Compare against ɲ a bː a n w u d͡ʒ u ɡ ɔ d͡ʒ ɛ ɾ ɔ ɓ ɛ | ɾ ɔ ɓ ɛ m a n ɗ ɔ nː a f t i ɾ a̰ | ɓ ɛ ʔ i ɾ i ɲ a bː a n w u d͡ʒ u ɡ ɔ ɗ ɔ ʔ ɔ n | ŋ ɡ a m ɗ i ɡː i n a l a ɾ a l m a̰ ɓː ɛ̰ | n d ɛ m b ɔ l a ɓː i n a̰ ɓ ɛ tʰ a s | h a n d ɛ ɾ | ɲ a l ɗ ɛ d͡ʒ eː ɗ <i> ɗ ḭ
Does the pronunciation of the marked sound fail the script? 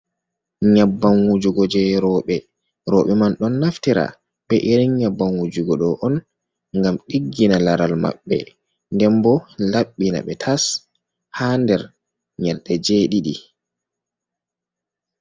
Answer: no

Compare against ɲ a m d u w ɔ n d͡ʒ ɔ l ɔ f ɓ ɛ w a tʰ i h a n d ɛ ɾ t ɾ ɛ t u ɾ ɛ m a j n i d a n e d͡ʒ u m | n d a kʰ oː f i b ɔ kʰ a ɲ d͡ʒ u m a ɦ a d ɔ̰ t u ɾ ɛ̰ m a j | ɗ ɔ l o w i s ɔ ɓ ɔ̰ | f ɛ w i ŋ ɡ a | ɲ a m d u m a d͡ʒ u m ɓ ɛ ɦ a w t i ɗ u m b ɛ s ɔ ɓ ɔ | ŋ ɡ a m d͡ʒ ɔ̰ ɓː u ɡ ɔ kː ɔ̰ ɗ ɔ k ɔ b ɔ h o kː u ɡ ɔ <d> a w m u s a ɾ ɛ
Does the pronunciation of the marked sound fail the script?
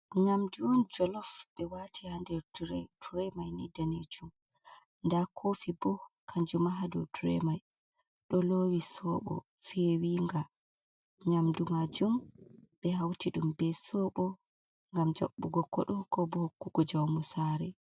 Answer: yes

